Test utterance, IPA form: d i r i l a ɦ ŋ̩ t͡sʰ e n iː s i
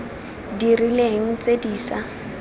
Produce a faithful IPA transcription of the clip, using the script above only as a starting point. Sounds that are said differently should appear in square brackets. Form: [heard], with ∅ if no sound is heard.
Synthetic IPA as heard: d i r i l [e] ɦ ŋ̩ [t͡s] e [d] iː s [a]